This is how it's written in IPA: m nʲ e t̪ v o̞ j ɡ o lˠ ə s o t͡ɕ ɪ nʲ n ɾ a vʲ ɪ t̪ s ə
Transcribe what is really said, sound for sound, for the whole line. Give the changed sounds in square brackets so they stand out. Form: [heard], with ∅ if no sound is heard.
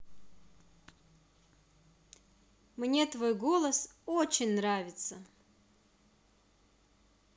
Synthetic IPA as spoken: m nʲ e t̪ v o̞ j ɡ o lˠ ə s o t͡ɕ ɪ nʲ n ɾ a vʲ ɪ t̪ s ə